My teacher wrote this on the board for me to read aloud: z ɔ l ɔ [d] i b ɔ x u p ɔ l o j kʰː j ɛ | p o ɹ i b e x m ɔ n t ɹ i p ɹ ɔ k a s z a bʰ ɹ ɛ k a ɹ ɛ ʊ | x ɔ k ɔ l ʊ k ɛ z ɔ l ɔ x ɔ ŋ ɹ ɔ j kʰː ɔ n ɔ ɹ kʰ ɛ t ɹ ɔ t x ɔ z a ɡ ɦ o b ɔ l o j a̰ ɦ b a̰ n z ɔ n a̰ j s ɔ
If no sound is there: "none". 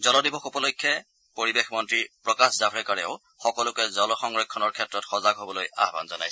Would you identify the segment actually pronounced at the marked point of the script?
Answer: d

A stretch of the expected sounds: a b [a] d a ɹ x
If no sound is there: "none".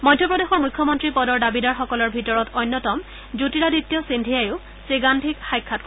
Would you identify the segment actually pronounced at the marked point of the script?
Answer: i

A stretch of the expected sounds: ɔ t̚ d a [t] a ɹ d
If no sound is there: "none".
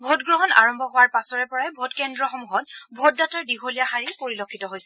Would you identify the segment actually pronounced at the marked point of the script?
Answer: t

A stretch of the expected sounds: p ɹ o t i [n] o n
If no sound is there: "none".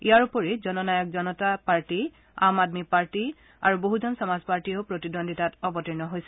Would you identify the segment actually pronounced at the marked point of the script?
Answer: d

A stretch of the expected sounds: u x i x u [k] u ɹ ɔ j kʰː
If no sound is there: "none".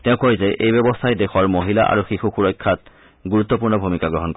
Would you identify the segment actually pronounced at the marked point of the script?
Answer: x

